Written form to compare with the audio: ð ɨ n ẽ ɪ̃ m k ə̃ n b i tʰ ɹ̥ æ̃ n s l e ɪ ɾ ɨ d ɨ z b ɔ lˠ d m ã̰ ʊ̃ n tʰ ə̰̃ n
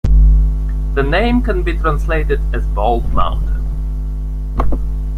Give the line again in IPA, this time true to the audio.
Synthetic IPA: ð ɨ n ẽ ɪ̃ m k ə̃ n b i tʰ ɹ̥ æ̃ n s l e ɪ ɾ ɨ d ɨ z b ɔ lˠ d m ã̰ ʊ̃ n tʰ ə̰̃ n

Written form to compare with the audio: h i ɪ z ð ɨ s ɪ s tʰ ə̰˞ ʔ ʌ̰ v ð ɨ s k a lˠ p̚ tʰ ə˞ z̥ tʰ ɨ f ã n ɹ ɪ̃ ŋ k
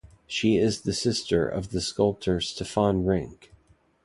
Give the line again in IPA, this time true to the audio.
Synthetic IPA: ʃ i ɪ z ð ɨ s ɪ s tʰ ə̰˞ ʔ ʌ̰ v ð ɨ s k ʌ lˠ p̚ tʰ ə˞ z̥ tʰ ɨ f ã n ɹ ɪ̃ ŋ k

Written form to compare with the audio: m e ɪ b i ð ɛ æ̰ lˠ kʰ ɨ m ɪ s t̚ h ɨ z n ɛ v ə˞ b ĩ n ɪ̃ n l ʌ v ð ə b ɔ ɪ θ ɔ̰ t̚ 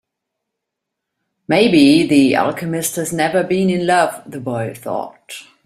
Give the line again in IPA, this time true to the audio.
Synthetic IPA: m e ɪ b i ð i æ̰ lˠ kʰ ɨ m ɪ s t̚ h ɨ z n ɛ v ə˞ b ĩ n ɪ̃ n l ʌ v ð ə b ɔ ɪ θ ɔ̰ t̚

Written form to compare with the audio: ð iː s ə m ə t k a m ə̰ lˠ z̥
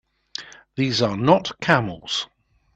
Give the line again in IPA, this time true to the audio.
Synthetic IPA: ð iː z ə n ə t kʰ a m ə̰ lˠ z̥

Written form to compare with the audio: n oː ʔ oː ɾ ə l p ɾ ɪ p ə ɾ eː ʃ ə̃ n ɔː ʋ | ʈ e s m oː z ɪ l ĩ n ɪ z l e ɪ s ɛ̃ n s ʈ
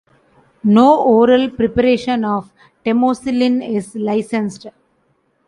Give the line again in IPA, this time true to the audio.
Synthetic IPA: n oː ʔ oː ɾ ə l p ɾ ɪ p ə ɾ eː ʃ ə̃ n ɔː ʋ | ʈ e m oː s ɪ l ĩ n ɪ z l a ɪ s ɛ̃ n s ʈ

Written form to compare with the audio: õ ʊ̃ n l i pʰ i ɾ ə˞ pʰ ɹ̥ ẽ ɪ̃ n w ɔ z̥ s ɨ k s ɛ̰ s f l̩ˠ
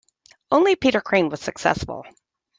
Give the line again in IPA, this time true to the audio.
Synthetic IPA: õ ʊ̃ n l i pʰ i ɾ ə˞ kʰ ɹ̥ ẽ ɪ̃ n w ʌ z̥ s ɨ k s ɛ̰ s f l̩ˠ

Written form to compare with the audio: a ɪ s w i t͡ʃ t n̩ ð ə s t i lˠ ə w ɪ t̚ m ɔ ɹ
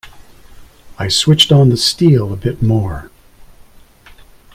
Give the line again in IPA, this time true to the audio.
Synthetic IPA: a ɪ s w ɪ t͡ʃ t n̩ ð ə s t i lˠ ə b ɪ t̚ m ɔ ɹ

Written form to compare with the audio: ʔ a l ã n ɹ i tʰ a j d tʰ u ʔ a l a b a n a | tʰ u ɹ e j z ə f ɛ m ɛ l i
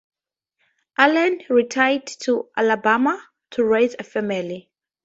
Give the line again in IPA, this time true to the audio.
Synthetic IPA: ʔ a l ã n ɹ i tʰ a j d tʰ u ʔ a l a b a m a | tʰ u ɹ e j z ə f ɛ m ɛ l i

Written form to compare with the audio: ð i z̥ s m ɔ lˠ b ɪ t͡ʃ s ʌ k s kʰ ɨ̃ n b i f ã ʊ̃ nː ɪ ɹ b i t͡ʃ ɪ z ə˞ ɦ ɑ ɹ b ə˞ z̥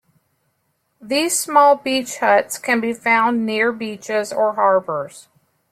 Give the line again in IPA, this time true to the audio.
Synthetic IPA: ð i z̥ s m ɔ lˠ b i t͡ʃ h ʌ t s kʰ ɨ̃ n b i f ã ʊ̃ nː ɪ ɹ b i t͡ʃ ɪ z ə˞ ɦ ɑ ɹ b ə˞ z̥

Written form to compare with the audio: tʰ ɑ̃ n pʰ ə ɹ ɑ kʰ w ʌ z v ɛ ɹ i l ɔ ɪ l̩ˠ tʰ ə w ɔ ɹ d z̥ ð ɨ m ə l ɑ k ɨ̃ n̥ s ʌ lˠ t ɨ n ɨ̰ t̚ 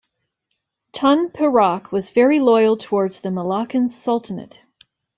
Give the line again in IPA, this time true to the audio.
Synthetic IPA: tʰ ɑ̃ n pʰ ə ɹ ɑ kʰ w ʌ z v ɛ ɹ i l ɔ ɪ l̩ˠ tʰ ə w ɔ ɹ d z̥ ð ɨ m ə l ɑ k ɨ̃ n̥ s ʌ lˠ t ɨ n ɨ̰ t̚

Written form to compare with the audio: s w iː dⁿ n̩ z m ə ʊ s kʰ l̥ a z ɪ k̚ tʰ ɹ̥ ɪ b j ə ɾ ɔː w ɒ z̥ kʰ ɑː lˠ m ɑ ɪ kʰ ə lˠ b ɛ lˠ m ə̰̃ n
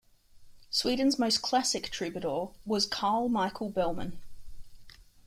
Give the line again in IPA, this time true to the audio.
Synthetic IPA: s w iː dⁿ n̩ z m ə ʊ s kʰ l̥ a s ɪ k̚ tʰ ɹ̥ ɪ b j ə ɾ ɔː w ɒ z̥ kʰ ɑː lˠ m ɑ ɪ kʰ ə lˠ b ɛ lˠ m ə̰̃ n

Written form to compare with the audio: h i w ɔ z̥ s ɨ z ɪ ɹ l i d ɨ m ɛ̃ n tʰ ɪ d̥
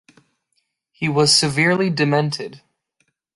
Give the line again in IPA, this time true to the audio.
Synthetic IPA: h i w ʌ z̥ s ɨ v ɪ ɹ l i d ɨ m ɛ̃ n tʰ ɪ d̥

